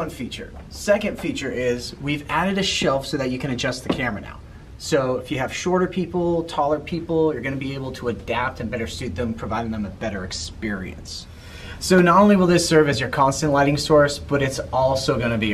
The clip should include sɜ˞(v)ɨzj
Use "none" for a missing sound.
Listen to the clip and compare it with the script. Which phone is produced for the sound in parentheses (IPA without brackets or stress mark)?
v